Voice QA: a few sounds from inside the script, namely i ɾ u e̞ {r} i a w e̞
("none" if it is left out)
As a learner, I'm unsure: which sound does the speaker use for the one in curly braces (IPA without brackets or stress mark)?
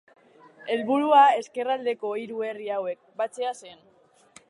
r